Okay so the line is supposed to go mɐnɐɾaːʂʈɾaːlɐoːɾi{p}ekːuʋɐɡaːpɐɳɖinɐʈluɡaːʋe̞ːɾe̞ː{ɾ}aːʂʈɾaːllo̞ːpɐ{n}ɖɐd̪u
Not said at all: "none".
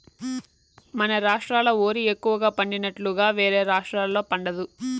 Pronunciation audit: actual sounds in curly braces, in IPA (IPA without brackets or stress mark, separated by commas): none, ɾ, ɳ